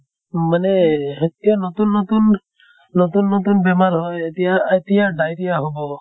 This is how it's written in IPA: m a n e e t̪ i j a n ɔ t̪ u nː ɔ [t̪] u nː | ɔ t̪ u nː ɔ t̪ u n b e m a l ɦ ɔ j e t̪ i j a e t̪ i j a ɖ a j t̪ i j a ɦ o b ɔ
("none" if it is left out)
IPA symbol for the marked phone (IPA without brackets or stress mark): t̪